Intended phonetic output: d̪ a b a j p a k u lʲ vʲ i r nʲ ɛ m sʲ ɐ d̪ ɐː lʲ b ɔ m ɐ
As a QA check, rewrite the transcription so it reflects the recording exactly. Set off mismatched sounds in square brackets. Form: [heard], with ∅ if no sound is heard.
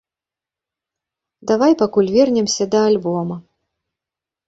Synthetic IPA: d̪ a [v] a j p a k u lʲ vʲ [ɛ] r nʲ ɛ m sʲ ɐ d̪ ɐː lʲ b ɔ m ɐ